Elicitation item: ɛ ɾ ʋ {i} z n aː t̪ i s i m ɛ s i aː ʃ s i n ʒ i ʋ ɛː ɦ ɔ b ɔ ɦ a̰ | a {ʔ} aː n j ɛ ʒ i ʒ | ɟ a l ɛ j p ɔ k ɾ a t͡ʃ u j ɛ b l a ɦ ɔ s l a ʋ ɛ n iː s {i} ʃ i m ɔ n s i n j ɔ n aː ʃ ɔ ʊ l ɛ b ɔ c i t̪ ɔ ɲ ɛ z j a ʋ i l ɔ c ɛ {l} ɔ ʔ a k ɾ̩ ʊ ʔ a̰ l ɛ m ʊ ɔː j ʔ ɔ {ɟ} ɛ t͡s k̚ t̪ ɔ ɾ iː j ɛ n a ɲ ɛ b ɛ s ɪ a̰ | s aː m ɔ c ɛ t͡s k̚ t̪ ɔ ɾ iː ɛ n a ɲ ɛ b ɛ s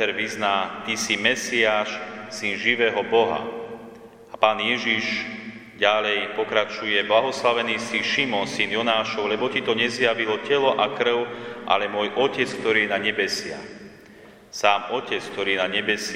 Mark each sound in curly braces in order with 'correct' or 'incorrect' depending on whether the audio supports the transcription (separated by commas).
correct, incorrect, correct, correct, incorrect